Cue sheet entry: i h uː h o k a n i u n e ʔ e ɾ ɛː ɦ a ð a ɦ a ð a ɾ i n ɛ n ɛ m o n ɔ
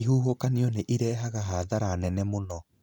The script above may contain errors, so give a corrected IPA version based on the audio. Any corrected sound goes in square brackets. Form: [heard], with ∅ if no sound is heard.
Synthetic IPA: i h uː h o k a n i [ɔ] n e ʔ [i] ɾ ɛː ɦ a [ɣ] a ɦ a ð a ɾ [a] n ɛ n ɛ m o n ɔ